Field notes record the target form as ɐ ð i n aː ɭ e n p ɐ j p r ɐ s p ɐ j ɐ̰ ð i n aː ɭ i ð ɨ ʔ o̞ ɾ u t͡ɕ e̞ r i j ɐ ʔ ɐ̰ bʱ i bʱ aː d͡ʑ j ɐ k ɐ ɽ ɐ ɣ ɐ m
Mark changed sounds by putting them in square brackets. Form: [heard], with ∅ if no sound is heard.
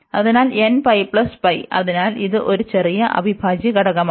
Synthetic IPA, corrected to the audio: ɐ ð i n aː [l] e n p ɐ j p [ɭ] ɐ s p ɐ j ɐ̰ ð i n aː [l] i ð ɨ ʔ o̞ ɾ u t͡ɕ e̞ r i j ɐ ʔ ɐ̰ bʱ i bʱ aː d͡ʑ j ɐ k ɐ ɽ ɐ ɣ ɐ m